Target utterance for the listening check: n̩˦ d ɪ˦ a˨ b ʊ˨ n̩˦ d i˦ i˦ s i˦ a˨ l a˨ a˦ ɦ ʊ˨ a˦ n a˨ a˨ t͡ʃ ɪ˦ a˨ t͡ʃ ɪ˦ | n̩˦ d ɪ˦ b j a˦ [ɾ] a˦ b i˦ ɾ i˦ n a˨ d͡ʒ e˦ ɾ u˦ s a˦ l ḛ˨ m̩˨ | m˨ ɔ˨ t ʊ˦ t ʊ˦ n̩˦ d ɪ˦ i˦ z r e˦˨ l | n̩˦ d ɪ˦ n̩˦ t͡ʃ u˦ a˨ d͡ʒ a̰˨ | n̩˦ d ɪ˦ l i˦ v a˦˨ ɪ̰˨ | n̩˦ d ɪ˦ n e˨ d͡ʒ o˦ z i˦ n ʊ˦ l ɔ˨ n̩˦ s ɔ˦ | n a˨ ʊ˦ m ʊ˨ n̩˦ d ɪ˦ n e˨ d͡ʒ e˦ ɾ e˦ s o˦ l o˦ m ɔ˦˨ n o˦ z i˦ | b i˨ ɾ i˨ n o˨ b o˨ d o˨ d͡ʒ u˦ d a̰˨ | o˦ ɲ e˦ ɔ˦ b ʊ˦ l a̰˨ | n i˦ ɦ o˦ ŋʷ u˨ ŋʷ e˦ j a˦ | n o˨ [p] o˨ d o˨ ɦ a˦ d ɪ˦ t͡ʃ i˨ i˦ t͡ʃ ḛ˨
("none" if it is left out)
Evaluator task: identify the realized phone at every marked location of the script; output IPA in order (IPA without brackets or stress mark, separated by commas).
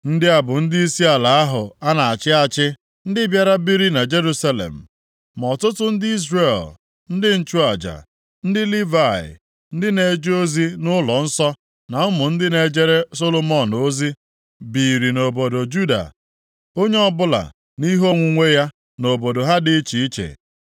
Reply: ɾ, b